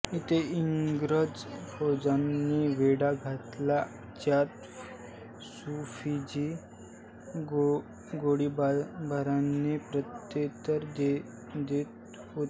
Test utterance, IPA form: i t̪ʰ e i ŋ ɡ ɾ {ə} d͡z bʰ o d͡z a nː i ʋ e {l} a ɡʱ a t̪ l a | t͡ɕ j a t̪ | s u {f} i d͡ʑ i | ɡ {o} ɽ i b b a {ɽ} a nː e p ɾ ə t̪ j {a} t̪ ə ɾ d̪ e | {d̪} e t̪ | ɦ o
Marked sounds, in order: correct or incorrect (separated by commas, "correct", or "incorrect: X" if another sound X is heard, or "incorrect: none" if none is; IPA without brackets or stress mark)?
correct, incorrect: ɽ, correct, correct, incorrect: ɾ, incorrect: e, correct